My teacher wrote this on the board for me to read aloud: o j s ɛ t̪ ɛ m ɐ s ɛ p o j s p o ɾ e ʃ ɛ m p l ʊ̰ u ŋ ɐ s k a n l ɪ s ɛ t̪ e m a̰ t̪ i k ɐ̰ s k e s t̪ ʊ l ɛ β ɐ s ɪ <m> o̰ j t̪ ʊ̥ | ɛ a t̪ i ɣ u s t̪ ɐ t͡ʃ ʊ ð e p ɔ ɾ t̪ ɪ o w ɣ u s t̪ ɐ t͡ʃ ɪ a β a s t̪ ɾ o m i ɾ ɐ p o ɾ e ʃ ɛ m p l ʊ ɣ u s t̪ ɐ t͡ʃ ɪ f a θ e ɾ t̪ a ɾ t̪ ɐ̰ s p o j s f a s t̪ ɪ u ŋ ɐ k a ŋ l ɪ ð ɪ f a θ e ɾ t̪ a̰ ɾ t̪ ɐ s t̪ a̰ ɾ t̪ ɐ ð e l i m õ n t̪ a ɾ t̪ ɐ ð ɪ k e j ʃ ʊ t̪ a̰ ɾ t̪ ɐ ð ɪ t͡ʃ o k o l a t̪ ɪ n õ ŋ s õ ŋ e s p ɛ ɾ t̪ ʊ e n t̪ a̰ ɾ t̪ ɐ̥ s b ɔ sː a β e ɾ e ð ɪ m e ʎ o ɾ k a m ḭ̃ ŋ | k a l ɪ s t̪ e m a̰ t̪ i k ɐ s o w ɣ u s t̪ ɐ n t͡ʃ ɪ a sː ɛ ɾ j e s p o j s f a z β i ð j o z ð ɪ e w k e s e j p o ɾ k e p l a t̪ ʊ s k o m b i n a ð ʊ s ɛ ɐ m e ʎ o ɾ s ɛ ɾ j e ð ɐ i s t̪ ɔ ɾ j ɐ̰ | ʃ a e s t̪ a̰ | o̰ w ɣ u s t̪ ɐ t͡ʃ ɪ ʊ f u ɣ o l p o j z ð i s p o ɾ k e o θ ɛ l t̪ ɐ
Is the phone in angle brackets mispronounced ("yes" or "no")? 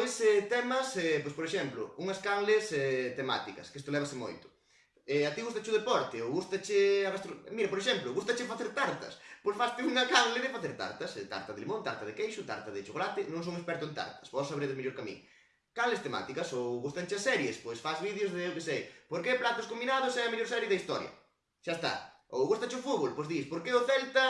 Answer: no